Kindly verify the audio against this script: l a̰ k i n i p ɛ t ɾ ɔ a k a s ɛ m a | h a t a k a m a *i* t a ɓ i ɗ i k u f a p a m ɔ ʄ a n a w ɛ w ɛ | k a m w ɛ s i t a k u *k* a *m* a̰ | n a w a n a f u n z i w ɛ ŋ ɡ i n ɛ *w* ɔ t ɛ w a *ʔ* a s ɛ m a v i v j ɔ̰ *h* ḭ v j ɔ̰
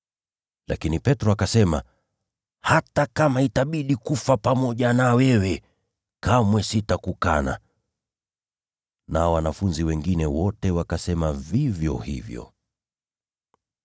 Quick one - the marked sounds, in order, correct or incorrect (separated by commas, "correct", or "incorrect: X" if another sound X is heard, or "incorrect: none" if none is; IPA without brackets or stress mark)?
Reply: correct, correct, incorrect: n, correct, incorrect: k, correct